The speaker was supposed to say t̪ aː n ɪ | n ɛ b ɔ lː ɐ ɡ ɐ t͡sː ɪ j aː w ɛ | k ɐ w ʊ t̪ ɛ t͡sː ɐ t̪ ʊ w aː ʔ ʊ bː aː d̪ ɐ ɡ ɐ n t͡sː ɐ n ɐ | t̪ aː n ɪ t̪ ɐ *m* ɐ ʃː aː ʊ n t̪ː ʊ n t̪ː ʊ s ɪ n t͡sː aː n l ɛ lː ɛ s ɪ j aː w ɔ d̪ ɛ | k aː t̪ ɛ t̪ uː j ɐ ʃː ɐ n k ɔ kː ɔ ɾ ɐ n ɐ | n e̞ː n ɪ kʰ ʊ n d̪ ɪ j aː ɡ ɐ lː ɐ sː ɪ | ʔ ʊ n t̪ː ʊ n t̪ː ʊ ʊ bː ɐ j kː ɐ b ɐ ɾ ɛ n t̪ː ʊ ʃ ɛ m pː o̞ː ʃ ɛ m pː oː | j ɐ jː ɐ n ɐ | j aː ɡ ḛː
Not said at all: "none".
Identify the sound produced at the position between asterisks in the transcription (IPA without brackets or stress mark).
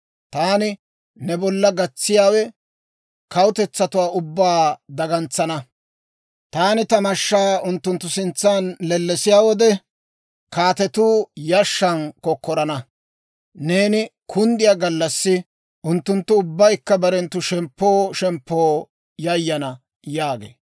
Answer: m